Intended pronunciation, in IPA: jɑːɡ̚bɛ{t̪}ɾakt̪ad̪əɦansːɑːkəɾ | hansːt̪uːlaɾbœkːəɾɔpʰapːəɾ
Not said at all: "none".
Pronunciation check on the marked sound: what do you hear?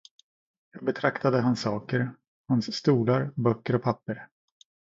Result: t̪ʰ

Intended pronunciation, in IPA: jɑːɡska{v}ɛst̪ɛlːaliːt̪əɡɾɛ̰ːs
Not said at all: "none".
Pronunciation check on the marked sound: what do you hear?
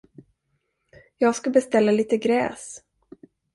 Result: b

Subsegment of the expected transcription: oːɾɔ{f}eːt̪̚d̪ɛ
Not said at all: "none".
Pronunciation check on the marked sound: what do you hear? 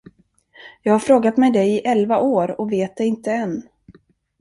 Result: v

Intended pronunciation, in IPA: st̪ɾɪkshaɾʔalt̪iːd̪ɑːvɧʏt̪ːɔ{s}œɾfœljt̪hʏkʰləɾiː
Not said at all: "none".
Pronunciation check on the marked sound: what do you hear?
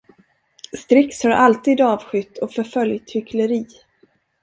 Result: f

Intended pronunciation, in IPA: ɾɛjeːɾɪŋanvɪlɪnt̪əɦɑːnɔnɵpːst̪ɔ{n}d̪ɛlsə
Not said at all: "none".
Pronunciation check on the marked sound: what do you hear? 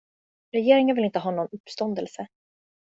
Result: n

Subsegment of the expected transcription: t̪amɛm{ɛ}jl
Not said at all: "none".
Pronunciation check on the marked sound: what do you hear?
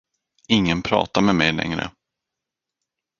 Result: ɛ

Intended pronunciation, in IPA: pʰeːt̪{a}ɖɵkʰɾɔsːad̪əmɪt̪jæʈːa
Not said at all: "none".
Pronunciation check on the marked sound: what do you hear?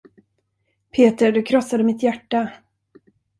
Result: ə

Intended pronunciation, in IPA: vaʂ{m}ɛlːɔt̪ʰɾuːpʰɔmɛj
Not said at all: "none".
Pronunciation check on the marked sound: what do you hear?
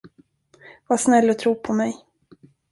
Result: n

